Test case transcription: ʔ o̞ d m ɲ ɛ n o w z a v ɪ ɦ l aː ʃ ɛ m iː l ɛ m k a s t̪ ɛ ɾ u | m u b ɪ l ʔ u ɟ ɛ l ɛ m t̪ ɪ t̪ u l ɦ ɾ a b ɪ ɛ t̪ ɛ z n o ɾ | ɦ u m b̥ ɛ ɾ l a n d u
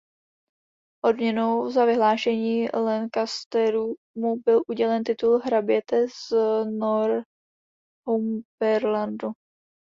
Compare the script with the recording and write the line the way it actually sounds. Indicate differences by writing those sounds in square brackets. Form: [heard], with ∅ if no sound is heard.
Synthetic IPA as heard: ʔ o̞ d m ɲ ɛ n o w z a v ɪ ɦ l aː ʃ ɛ [ɲ] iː l ɛ [n] k a s t̪ ɛ ɾ u | m u b ɪ l ʔ u ɟ ɛ l ɛ [n] t̪ ɪ t̪ u l ɦ ɾ a b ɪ ɛ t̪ ɛ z n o ɾ | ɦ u m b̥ ɛ ɾ l a n d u

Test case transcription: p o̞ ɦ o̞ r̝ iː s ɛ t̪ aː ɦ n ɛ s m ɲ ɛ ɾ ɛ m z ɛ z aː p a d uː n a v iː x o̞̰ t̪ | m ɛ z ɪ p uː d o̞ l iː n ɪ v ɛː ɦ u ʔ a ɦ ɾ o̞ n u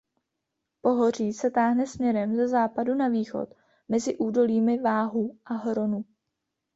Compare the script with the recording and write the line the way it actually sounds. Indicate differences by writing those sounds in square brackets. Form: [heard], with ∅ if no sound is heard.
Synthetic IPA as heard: p o̞ ɦ o̞ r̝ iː s ɛ t̪ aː ɦ n ɛ s m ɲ ɛ ɾ ɛ m z ɛ z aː p a d [u] n a v iː x o̞̰ t̪ | m ɛ z ɪ [ʔ] uː d o̞ l iː [m] ɪ v [aː] ɦ u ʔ a ɦ ɾ o̞ n u

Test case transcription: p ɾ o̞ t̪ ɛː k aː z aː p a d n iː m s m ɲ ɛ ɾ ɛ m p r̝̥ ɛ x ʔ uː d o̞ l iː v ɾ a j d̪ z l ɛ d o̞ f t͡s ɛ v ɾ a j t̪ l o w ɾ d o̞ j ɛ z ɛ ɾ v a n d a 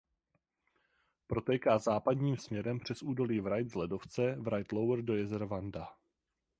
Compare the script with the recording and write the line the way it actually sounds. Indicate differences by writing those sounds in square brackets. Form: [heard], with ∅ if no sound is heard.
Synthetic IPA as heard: p ɾ o̞ t̪ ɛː k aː z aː p a d [ɲ] iː m s m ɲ ɛ ɾ ɛ m p r̝̥ ɛ [s] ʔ uː d o̞ l iː v ɾ a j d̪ z l ɛ d o̞ f t͡s ɛ v ɾ a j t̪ l o w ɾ d o̞ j ɛ z ɛ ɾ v a n d a

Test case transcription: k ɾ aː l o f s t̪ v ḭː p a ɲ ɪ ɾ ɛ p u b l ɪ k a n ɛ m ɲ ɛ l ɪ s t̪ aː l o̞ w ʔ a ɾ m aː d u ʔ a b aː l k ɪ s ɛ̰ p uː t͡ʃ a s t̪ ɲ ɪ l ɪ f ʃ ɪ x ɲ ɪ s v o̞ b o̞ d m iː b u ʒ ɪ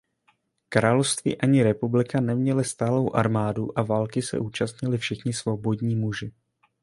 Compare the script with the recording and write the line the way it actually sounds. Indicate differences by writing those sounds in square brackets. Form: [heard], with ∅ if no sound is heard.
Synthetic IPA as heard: k ɾ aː l o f s t̪ v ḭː [ʔ] a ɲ ɪ ɾ ɛ p u b l ɪ k a n ɛ m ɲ ɛ l ɪ s t̪ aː l o̞ w ʔ a ɾ m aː d u ʔ a [v] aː l k ɪ s ɛ̰ [ʔ] uː t͡ʃ a s t̪ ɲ ɪ l ɪ f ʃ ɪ x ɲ ɪ s v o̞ b o̞ d [ɲ] iː [m] u ʒ ɪ

